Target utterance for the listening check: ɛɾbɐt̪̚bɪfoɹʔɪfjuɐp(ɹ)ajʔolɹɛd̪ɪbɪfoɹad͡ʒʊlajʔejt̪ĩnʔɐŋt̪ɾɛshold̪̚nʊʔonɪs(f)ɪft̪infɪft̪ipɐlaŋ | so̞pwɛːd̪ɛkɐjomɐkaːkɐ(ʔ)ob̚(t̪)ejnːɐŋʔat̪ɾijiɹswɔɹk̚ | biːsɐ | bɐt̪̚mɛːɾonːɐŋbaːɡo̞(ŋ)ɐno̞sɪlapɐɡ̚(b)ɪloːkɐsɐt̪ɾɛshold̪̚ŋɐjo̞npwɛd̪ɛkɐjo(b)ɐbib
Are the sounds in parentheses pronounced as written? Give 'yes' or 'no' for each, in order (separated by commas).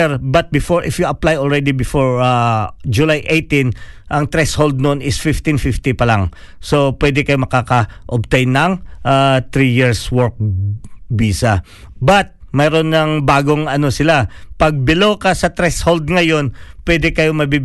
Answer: no, yes, yes, yes, yes, yes, no